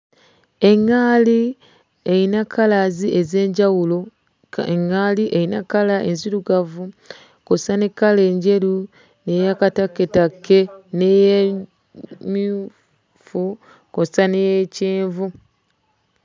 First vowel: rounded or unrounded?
unrounded